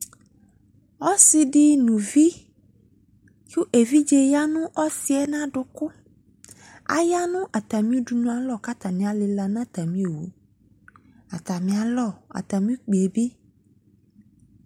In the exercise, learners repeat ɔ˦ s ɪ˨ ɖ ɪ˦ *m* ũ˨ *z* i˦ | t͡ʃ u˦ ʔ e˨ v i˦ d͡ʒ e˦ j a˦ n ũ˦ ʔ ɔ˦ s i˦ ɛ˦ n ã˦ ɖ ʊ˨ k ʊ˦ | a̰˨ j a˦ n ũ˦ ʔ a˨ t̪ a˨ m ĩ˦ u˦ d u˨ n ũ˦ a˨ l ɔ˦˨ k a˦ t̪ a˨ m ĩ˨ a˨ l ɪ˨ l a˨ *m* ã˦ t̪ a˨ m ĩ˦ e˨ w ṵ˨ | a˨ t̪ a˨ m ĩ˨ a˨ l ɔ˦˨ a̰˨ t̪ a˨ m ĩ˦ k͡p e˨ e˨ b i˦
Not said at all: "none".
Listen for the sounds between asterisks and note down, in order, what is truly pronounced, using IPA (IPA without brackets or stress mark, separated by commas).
n, v, n